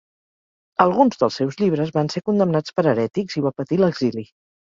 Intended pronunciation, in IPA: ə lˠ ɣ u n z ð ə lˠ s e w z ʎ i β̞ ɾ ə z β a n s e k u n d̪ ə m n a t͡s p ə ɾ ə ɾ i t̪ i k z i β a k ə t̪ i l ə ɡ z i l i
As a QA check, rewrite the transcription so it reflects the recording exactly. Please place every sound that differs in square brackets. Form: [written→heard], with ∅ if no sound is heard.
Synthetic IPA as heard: ə lˠ ɣ u n z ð ə lˠ s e w z ʎ i β̞ ɾ ə z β a n s e k u n d̪ ə m n a t͡s p ə ɾ ə ɾ [i→ɛ] t̪ i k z i β a [k→p] ə t̪ i l ə ɡ z i l i

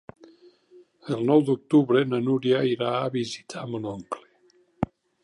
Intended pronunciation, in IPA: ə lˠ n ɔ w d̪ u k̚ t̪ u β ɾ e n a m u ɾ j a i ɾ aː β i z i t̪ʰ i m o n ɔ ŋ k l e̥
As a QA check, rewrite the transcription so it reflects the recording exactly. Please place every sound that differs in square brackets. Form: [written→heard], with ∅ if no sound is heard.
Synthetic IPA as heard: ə lˠ n ɔ w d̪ u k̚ t̪ u β ɾ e n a [m→n] u ɾ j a i ɾ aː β i z i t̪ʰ [i→a] m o n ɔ ŋ k l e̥

